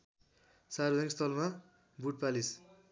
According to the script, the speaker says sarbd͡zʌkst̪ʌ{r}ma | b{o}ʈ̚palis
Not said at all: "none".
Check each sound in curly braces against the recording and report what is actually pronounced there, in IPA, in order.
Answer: l, u

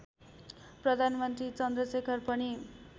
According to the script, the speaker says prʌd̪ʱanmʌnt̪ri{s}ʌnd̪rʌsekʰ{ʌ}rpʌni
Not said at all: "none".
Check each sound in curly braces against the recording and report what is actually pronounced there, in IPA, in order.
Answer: t͡s, ʌ

